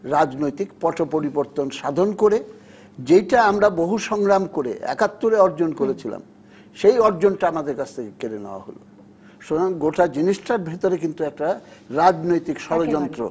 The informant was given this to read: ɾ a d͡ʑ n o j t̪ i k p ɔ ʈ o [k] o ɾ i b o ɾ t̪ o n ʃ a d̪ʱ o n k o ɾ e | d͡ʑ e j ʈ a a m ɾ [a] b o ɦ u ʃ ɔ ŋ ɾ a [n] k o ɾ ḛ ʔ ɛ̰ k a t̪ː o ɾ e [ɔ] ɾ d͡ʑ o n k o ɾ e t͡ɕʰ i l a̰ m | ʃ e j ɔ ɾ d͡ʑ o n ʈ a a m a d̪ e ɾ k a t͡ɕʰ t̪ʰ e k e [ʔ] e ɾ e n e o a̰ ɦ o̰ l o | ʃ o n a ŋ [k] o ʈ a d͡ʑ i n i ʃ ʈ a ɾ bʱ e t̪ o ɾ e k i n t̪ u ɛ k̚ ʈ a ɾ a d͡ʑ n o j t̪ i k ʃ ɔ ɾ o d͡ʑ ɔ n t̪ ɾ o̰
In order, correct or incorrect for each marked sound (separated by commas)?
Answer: incorrect, correct, incorrect, correct, incorrect, incorrect